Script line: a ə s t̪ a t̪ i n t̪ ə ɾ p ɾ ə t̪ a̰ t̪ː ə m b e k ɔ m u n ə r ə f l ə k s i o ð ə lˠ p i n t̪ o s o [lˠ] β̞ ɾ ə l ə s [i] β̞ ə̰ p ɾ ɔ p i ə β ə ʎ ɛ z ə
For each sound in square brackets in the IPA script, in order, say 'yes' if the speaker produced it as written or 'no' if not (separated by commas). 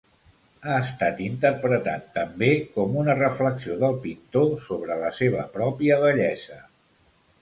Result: no, no